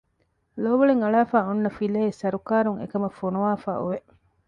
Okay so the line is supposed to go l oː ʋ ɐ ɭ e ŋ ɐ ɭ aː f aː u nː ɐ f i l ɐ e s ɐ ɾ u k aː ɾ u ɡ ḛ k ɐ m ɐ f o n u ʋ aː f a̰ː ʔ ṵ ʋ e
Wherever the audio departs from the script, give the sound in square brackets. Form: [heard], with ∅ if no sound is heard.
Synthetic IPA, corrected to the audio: l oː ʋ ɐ ɭ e ŋ ɐ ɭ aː f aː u nː ɐ f i l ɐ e s ɐ ɾ u k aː ɾ u [ŋ] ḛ k ɐ m ɐ f o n u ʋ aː f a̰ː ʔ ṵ ʋ e